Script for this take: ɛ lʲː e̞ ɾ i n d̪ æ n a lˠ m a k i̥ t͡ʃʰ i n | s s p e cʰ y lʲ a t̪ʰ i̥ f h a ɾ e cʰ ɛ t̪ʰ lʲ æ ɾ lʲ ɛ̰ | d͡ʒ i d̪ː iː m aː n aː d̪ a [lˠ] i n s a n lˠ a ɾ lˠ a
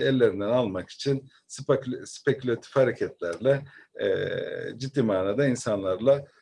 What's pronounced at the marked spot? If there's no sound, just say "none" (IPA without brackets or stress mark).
none